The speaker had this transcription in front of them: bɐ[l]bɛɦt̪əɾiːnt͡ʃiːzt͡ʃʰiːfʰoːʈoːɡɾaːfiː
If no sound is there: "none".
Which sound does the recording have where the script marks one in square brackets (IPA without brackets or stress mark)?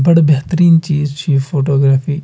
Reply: ɽ